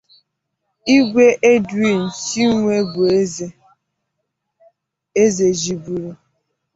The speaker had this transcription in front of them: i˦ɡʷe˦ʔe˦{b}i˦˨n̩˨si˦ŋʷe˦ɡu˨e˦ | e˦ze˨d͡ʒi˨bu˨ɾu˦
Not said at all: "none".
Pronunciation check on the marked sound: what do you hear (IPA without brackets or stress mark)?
d